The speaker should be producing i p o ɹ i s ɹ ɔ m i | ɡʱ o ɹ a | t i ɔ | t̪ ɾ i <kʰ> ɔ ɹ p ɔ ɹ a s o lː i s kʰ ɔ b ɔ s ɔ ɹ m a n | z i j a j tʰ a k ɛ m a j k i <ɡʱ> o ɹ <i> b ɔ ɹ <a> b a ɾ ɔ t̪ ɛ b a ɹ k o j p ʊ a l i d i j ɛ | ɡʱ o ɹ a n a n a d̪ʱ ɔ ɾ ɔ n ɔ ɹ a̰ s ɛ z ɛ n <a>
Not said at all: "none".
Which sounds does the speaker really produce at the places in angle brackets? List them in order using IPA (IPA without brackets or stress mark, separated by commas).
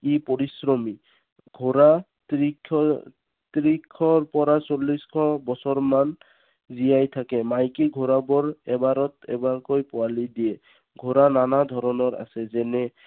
kʰ, ɡʱ, a, ɛ, ɛ